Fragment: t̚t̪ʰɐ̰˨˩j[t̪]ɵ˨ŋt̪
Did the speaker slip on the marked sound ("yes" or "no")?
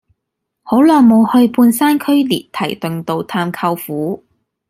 no